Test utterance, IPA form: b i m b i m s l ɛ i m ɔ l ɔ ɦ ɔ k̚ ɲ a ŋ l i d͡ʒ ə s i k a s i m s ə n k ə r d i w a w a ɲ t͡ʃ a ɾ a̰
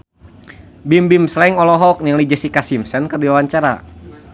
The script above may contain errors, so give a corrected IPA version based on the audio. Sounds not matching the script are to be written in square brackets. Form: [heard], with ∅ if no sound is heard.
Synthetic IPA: b i m b i m s l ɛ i [ŋ] ɔ l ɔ ɦ ɔ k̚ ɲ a ŋ l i d͡ʒ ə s i k a s i m s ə n k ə r d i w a w a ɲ t͡ʃ a ɾ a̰